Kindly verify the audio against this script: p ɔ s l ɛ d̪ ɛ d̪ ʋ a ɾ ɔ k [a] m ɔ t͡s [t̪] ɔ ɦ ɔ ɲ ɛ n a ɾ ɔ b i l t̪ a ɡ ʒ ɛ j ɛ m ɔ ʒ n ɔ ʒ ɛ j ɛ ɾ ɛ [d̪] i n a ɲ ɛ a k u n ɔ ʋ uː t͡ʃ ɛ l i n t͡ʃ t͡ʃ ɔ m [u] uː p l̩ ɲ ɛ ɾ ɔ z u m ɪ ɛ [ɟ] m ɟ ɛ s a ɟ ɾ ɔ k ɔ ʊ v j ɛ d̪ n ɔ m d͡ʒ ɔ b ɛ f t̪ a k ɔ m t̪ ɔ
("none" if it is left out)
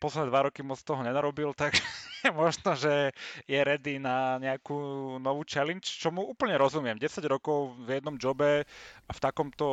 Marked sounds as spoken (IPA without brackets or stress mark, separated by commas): i, t̪, d̪, u, none